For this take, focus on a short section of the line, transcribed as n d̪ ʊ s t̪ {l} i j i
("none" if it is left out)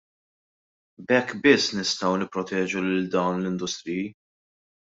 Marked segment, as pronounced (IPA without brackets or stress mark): ɾ